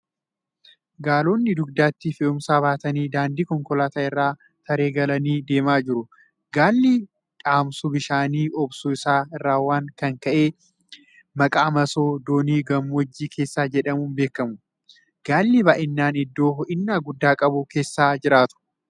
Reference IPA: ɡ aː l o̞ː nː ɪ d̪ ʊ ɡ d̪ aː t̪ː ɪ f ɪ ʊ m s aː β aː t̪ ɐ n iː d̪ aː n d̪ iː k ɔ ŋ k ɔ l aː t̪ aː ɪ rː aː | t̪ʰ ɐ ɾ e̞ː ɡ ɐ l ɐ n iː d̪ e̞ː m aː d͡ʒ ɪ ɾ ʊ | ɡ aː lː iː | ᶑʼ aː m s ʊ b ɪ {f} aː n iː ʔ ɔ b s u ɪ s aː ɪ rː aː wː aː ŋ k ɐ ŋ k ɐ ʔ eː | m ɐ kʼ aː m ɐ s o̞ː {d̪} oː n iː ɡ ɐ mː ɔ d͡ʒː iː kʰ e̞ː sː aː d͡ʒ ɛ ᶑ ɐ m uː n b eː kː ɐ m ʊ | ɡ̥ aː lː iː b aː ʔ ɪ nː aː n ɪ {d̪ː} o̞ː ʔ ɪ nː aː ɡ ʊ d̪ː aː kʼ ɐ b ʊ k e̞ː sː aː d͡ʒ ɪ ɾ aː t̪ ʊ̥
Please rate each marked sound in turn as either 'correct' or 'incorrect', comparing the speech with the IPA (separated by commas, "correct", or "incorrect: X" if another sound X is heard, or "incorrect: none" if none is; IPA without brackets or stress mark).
incorrect: ʃ, correct, correct